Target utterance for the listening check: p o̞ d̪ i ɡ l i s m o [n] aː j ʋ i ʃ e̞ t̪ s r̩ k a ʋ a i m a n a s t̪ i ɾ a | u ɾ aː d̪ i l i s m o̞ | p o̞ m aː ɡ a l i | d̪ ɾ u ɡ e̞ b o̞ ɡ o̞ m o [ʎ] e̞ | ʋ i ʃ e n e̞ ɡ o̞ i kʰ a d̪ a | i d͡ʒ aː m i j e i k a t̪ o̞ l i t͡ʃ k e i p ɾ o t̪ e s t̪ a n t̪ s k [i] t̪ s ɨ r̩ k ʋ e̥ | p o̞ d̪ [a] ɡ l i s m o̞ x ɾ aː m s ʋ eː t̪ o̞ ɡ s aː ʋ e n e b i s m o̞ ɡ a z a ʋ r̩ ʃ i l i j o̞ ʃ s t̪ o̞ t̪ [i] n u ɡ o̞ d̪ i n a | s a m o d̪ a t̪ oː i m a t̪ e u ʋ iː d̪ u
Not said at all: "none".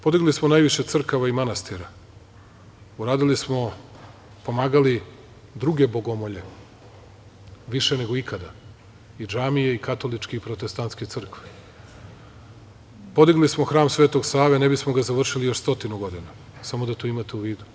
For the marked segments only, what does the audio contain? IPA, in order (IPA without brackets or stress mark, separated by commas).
n, ʎ, e, i, i